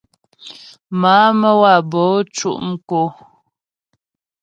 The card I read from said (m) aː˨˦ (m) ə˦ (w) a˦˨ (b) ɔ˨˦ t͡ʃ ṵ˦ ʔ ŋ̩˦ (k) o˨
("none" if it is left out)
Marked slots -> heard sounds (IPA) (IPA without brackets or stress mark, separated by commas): m, m, w, b, k